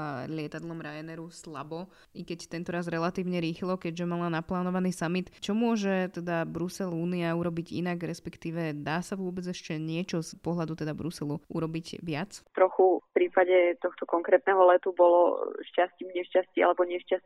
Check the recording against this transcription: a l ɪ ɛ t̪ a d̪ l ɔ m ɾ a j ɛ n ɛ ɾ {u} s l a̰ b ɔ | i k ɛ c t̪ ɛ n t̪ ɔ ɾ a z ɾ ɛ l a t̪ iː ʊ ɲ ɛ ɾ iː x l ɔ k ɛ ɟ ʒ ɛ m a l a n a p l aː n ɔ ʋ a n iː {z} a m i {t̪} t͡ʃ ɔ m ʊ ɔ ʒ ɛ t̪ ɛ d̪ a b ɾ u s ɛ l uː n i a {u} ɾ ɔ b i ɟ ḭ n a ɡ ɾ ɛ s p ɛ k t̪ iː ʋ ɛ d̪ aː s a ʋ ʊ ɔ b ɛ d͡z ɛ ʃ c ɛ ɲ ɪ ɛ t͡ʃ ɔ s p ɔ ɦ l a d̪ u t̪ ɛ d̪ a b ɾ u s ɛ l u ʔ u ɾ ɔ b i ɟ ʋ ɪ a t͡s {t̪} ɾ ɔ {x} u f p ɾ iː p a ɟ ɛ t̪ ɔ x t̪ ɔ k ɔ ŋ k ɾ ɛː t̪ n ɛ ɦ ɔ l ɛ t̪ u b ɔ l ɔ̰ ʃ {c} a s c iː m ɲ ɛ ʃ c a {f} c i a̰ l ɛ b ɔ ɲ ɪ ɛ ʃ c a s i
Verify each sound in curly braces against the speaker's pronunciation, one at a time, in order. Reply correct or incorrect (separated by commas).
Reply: correct, incorrect, correct, correct, correct, correct, correct, incorrect